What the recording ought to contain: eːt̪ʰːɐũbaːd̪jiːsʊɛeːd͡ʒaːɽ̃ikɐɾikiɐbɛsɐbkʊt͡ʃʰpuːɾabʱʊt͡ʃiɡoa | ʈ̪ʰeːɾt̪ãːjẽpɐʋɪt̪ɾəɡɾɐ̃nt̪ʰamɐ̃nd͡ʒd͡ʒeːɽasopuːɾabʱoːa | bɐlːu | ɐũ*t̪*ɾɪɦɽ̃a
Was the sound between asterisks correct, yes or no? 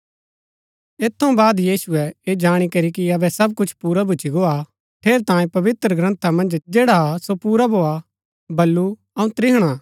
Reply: yes